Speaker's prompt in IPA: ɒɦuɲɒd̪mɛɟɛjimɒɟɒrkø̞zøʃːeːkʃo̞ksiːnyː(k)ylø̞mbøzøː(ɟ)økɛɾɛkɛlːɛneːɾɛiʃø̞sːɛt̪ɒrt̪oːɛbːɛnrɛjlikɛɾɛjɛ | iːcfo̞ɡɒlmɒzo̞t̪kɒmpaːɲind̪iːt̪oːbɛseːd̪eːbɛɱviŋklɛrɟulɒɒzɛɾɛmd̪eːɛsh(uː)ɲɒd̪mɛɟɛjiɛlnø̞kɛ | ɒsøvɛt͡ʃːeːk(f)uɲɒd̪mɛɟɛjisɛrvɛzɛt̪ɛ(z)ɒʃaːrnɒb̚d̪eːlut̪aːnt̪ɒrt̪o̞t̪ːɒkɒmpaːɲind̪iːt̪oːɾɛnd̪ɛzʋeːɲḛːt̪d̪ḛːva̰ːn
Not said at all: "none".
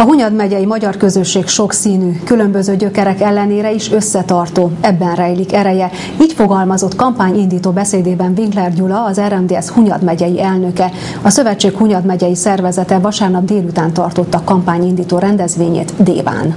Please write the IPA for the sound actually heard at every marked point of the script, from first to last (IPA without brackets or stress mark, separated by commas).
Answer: k, ɟ, u, h, v